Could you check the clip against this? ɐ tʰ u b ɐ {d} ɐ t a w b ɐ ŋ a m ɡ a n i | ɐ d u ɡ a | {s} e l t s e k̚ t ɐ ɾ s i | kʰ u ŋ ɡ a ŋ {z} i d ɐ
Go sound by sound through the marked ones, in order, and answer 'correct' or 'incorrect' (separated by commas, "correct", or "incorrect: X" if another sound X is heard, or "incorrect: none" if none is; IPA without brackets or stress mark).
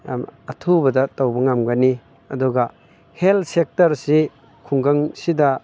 correct, incorrect: h, incorrect: s